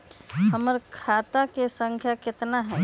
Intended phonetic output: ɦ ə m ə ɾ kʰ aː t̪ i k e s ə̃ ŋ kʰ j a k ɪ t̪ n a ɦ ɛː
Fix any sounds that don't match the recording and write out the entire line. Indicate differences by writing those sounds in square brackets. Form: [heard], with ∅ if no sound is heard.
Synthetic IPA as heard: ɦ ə m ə ɾ kʰ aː t̪ [a] k e s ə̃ ŋ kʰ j a k ɪ t̪ n a ɦ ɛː